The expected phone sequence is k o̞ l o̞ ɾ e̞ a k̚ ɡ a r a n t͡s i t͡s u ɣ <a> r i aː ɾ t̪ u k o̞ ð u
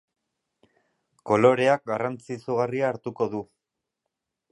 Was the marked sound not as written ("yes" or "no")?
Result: no